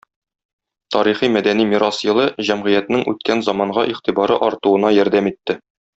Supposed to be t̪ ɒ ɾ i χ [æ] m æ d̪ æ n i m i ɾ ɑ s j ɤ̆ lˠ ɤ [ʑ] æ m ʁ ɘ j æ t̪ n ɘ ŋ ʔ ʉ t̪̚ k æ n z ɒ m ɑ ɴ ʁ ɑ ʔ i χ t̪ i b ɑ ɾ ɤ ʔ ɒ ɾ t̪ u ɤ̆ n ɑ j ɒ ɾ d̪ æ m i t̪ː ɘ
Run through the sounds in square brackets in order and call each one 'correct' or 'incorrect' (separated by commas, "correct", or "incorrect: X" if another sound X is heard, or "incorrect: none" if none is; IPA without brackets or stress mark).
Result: incorrect: i, correct